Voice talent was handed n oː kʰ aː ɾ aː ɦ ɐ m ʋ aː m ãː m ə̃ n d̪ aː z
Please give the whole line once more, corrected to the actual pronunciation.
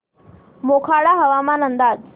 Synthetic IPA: m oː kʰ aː ɽ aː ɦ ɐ ʋ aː m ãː n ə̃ n d̪ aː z